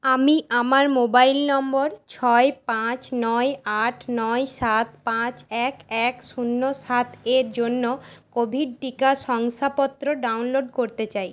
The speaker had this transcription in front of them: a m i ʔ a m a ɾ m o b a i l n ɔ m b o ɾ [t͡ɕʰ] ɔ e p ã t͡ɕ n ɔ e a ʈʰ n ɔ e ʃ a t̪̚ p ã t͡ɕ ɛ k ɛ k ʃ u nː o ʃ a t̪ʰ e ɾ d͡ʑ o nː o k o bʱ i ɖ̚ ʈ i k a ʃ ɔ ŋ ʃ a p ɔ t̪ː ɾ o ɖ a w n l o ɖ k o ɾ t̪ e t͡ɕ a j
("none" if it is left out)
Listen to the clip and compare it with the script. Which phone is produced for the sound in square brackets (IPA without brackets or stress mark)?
t͡ɕʰ